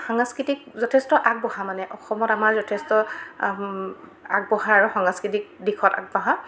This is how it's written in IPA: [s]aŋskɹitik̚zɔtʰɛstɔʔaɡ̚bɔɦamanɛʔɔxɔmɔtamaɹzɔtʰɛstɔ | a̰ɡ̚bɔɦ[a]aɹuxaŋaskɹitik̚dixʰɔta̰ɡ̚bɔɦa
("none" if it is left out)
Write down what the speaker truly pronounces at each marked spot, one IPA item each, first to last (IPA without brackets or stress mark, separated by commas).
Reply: x, a